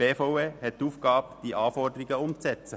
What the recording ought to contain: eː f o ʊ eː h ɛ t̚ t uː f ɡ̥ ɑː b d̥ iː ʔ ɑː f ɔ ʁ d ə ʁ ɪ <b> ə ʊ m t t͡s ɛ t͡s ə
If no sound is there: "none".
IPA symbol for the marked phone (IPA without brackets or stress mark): ɡ